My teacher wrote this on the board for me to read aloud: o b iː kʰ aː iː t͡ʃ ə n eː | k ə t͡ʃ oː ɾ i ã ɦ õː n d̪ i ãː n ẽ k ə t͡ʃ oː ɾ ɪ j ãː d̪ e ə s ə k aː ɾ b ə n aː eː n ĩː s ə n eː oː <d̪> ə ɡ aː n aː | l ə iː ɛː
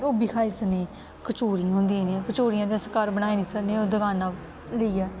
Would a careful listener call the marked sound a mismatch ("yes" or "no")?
no